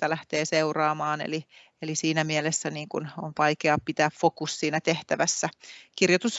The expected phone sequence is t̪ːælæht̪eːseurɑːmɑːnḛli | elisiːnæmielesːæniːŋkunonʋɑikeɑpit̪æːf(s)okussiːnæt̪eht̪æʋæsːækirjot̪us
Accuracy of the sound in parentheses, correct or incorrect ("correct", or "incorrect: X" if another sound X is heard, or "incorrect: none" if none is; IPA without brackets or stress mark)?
incorrect: f